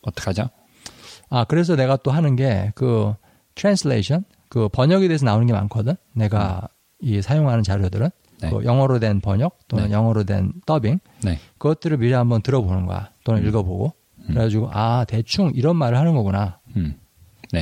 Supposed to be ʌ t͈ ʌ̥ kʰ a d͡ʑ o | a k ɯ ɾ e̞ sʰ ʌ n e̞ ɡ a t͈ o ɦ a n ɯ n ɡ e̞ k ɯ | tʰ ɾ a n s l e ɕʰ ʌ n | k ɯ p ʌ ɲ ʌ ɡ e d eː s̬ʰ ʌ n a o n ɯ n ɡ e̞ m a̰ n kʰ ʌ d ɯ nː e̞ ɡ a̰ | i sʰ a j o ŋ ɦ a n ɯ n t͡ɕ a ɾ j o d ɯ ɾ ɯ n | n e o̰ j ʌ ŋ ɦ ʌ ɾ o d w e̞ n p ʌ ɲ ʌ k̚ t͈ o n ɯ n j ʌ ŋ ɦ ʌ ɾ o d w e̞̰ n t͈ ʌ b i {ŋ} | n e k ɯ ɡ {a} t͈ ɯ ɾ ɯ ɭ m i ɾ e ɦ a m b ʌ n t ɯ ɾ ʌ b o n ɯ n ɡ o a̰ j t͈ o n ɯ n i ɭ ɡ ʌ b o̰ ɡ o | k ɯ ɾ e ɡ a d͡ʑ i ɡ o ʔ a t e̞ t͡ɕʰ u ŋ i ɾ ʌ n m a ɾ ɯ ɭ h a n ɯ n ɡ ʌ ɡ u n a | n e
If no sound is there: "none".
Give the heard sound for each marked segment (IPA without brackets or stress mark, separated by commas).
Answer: ŋ, ʌ